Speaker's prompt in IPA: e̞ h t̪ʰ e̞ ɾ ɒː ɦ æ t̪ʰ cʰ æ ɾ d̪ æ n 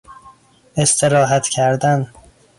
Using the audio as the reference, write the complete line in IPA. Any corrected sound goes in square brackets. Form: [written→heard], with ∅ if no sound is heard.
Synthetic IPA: e̞ [h→s] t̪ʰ e̞ ɾ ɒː ɦ æ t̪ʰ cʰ æ ɾ d̪ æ n